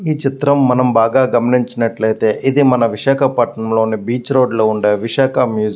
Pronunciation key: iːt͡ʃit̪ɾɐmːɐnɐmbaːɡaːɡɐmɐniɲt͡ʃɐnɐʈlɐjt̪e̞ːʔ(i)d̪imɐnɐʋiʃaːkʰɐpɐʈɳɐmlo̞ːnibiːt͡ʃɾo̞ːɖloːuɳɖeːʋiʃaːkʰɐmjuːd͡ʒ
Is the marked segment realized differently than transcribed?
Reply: no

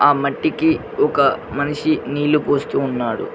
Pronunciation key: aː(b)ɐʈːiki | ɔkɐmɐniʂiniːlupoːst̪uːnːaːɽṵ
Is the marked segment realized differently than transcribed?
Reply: yes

